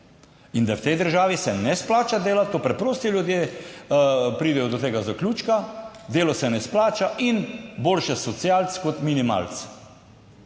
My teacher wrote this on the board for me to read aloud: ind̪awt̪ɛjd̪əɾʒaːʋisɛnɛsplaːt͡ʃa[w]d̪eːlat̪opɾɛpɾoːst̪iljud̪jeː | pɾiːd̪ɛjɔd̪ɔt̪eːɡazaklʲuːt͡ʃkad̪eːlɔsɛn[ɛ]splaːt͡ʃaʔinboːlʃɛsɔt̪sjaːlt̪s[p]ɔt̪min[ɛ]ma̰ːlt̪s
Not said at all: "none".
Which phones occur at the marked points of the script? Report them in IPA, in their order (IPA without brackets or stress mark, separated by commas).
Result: none, ɛ, k, i